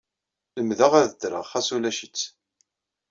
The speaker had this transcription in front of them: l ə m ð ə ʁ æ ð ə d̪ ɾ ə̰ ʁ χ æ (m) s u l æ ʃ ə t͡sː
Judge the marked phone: incorrect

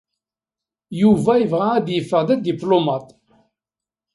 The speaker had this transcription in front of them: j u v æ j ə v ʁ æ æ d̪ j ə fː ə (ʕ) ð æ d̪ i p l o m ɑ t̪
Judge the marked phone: incorrect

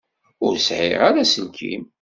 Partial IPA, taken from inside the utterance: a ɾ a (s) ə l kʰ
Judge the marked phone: correct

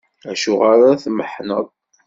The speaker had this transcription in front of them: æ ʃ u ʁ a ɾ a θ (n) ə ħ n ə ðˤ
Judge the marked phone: incorrect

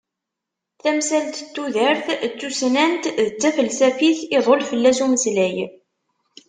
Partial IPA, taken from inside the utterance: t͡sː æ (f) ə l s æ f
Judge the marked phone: correct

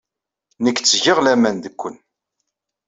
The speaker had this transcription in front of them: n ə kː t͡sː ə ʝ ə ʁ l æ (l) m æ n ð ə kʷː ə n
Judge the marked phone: incorrect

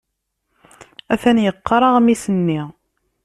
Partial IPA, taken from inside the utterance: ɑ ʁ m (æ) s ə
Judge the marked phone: incorrect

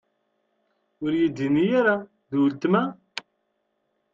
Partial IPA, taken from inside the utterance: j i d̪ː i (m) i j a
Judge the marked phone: incorrect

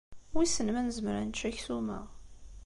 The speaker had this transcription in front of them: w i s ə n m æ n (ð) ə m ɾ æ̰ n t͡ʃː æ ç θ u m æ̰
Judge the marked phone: incorrect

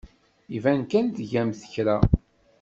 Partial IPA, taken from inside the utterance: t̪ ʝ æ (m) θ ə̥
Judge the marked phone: correct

